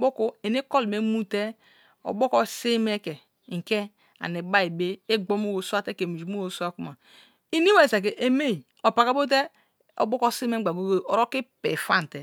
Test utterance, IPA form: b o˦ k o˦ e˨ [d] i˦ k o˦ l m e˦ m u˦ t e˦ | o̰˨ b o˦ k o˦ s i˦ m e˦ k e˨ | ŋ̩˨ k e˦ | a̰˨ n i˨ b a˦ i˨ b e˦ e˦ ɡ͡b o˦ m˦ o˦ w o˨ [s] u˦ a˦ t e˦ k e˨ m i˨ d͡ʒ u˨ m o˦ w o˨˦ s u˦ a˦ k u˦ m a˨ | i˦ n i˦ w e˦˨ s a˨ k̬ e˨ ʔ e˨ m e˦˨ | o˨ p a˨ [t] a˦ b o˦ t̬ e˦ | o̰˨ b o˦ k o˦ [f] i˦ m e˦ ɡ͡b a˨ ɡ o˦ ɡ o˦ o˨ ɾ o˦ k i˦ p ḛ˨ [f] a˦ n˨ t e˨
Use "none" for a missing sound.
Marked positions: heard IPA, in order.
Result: n, s, k, s, f

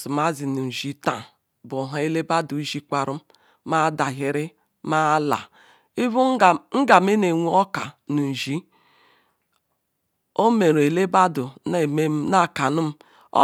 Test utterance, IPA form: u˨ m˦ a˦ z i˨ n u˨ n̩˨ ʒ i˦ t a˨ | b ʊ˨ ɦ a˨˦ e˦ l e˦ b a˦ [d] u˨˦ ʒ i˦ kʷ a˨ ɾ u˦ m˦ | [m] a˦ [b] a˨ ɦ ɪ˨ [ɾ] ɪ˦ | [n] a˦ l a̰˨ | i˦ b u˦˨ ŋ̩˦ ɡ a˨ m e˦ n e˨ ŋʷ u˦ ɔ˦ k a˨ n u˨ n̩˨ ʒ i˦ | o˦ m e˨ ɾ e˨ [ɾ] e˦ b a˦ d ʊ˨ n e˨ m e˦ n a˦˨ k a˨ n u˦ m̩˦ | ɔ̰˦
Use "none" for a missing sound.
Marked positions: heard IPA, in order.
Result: d, m, d, ɾ, m, l

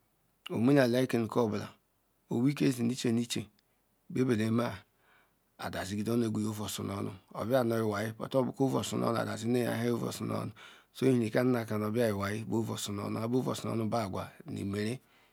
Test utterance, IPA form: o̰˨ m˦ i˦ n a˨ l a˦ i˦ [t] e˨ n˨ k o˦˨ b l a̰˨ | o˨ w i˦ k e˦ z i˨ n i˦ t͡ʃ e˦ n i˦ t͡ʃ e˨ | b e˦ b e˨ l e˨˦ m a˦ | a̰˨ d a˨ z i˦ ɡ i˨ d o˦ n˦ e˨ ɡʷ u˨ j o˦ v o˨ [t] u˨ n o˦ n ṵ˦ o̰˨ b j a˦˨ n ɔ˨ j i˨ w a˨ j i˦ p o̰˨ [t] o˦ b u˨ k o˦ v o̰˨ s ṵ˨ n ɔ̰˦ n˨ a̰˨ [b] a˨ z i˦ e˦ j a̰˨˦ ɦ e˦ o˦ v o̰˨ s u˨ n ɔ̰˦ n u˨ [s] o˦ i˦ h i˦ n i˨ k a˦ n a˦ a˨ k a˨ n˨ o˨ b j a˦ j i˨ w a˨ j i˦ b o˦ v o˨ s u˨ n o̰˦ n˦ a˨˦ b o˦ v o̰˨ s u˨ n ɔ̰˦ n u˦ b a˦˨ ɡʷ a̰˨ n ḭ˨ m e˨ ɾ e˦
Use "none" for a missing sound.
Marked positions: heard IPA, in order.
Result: k, s, t, d, s

